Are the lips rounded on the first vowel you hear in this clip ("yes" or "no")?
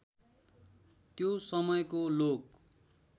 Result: yes